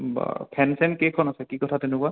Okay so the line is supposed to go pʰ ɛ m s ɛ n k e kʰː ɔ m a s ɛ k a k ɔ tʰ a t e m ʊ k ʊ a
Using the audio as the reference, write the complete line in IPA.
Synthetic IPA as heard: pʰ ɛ n s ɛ n k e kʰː ɔ n a s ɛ k i k ɔ tʰ a t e n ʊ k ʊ a